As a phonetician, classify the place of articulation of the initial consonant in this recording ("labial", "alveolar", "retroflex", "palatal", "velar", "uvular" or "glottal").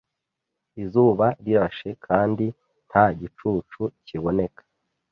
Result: alveolar